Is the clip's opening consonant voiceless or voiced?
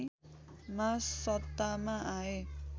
voiced